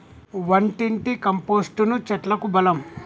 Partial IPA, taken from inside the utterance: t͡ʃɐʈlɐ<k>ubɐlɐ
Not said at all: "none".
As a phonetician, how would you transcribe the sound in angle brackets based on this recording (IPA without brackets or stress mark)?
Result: k